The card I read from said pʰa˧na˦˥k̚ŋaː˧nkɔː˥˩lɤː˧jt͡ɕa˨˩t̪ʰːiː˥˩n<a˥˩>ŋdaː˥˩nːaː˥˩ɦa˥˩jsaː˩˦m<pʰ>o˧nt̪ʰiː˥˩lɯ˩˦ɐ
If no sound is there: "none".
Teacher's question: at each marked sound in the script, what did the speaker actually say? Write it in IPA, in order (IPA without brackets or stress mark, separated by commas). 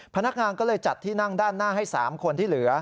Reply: a˥˩, kʰ